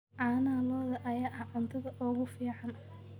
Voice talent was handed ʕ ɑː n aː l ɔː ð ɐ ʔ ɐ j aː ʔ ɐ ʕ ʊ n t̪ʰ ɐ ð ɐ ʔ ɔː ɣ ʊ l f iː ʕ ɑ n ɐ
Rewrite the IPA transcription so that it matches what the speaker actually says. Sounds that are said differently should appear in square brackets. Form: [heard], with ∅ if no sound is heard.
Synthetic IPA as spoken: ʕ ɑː n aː l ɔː ð ɐ ʔ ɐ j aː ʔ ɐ ʕ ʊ n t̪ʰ ɐ ð ɐ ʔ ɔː ɣ ʊ [∅] f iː ʕ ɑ n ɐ